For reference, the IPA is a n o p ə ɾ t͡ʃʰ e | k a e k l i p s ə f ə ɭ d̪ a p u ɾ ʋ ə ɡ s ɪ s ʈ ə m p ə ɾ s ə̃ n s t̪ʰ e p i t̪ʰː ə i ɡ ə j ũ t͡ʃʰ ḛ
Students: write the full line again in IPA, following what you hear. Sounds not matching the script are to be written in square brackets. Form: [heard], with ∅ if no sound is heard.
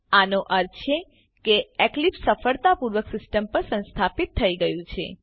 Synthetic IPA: a n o [ʔ] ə ɾ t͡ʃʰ e | k [e] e k l i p s ə f ə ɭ [t̪] a p u ɾ ʋ ə [k] s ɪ s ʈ ə m p ə ɾ s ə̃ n s t̪ʰ [a] p i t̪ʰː ə i ɡ ə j ũ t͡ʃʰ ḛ